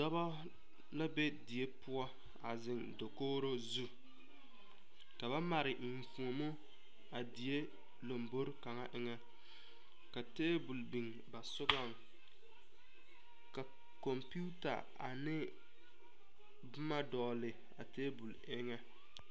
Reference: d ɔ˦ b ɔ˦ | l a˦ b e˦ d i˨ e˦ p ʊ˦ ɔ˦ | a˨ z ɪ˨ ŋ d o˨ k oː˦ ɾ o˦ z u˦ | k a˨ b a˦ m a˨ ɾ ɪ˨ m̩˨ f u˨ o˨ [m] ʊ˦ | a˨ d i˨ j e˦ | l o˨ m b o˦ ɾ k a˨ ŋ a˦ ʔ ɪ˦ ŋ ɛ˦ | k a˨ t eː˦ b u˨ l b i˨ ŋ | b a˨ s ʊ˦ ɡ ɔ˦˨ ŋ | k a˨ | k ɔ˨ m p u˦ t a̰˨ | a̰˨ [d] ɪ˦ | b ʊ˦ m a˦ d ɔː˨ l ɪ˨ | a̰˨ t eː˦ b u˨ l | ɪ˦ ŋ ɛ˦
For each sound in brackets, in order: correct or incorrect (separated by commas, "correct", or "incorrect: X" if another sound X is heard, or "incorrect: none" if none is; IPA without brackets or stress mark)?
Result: correct, incorrect: n